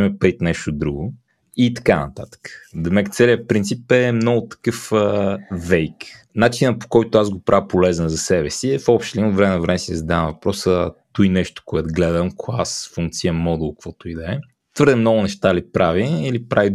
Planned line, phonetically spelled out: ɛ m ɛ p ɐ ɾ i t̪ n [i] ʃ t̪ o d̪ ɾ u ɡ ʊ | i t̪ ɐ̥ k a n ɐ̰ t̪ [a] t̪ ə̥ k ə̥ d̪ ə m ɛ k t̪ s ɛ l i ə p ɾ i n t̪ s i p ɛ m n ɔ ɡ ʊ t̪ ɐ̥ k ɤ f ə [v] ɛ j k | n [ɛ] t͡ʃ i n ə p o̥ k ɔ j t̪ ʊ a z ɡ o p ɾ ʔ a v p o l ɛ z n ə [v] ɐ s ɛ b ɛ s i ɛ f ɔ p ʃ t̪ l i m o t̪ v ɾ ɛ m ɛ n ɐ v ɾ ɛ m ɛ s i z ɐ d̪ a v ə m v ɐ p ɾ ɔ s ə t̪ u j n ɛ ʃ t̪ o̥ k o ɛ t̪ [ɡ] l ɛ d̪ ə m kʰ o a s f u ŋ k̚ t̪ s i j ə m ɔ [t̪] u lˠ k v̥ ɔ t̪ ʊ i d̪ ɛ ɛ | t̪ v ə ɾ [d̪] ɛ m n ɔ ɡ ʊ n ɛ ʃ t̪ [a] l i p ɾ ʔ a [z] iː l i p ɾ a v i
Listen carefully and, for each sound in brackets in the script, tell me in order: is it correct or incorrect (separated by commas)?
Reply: incorrect, correct, correct, incorrect, incorrect, correct, incorrect, correct, correct, incorrect